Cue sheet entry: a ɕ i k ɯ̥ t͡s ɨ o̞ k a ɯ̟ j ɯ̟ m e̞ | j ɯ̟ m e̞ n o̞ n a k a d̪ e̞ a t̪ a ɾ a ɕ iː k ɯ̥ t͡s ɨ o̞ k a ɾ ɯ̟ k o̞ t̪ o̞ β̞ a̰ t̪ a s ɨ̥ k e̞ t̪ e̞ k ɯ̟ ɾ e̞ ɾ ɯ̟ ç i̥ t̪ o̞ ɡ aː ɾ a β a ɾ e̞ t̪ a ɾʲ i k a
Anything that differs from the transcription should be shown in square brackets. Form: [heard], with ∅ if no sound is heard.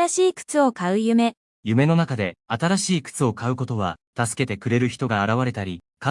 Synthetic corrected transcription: a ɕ [iː] k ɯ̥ t͡s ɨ o̞ k a ɯ̟ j ɯ̟ m e̞ | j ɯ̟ m e̞ n o̞ n a k a d̪ e̞ a t̪ a ɾ a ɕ iː k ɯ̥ t͡s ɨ o̞ k a [∅] ɯ̟ k o̞ t̪ o̞ β̞ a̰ t̪ a s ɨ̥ k e̞ t̪ e̞ k ɯ̟ ɾ e̞ ɾ ɯ̟ ç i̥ t̪ o̞ ɡ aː ɾ a β a ɾ e̞ t̪ a ɾʲ i k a